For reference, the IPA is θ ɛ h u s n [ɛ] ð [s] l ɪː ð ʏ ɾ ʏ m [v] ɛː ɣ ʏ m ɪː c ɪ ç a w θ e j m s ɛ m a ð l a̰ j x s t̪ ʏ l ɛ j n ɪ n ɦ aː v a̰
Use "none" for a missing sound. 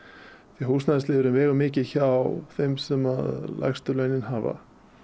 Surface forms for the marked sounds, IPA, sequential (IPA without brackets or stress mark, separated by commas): a, s, v